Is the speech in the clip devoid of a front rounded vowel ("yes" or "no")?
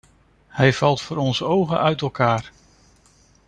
no